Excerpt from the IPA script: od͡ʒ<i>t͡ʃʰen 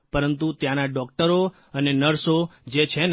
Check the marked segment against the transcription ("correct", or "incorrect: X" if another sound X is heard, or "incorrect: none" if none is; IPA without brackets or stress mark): incorrect: e